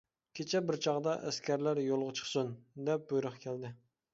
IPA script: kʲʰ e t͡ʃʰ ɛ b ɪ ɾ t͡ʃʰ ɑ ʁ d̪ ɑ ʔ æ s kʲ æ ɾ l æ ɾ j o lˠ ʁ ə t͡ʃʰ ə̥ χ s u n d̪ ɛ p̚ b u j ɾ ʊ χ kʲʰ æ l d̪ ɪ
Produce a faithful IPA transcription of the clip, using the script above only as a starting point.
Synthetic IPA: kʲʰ e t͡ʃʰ ɛ b ɪ ɾ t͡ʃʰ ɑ ʁ d̪ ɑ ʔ æ s kʲ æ ɾ l æ ɾ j o lˠ ʁ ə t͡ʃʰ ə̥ χ s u n d̪ ɛ p̚ b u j ɾ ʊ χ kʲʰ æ l d̪ ɪ